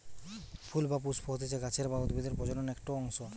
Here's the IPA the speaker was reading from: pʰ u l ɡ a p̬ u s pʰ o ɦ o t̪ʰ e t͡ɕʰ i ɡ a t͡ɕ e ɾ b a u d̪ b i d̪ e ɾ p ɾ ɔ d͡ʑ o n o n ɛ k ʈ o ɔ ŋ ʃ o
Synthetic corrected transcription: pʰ u l b a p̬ u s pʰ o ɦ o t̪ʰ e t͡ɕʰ e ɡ a t͡ɕʰ e ɾ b a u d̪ b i d̪ e ɾ p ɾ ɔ d͡ʑ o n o n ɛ k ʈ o ɔ ŋ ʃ o